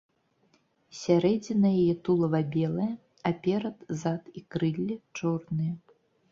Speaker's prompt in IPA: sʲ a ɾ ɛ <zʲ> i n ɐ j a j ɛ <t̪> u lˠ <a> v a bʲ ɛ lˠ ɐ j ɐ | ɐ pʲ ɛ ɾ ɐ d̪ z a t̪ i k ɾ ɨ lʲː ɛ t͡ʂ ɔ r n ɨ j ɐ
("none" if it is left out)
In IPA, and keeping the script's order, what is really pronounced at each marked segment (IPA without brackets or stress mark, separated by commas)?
d͡zʲ, t̪, ɐ